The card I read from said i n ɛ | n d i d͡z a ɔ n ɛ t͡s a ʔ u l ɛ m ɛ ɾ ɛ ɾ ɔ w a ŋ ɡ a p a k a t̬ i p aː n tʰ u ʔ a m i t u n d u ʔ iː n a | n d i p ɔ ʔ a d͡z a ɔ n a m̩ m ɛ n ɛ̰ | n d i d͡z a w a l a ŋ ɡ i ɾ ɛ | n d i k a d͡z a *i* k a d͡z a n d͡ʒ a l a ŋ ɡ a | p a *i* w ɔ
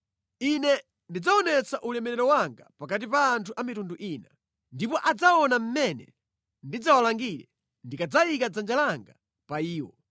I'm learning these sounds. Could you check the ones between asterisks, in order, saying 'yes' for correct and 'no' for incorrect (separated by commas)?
yes, no